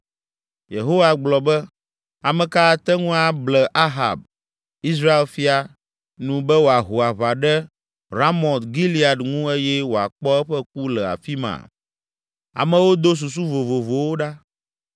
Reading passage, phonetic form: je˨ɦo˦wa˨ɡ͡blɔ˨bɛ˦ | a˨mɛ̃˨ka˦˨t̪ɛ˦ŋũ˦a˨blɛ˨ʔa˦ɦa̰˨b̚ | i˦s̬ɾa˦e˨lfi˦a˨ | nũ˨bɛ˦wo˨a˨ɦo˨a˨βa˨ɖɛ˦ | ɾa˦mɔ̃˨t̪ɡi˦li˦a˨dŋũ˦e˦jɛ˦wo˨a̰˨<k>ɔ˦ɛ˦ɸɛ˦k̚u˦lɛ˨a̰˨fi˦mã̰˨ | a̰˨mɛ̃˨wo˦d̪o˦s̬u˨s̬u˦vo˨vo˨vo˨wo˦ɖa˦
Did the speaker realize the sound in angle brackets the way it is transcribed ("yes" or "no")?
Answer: no